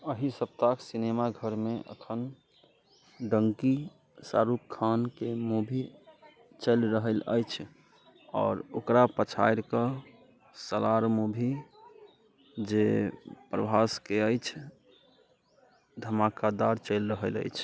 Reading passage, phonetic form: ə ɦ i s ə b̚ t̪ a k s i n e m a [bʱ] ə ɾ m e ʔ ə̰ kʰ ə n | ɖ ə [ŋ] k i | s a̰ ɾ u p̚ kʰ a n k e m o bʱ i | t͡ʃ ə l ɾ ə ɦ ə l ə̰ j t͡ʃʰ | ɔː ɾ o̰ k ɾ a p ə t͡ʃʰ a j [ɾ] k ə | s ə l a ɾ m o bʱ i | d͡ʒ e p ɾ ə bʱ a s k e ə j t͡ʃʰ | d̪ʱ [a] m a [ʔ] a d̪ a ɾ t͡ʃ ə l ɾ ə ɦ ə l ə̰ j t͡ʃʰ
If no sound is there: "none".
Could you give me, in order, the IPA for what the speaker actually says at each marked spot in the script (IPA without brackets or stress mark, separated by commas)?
ɡʱ, ŋ, ɾ, ə, k